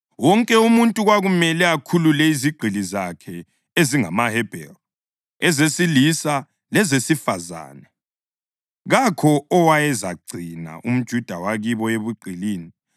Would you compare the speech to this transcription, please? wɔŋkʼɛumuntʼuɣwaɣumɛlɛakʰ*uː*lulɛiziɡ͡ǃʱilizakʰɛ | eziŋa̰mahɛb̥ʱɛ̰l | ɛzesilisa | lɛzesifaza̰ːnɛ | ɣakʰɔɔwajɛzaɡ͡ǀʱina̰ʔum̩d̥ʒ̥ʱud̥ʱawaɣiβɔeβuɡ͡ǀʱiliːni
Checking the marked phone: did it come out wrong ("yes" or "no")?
yes